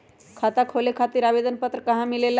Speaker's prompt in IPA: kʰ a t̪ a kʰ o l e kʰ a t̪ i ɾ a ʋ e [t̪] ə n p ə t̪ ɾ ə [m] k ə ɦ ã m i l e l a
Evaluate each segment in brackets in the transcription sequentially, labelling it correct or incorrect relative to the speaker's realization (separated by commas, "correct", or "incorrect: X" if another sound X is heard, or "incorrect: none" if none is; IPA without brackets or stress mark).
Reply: incorrect: d̪, incorrect: none